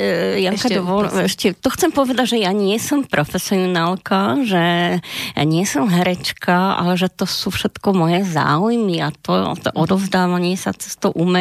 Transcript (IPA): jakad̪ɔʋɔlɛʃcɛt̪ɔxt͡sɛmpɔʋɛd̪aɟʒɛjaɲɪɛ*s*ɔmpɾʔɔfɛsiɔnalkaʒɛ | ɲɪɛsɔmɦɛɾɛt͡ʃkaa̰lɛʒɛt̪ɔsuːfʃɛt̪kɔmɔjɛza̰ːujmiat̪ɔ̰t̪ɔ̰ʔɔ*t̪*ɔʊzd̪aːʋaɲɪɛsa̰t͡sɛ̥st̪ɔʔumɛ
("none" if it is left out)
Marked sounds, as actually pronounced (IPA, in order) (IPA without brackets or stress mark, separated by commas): s, d̪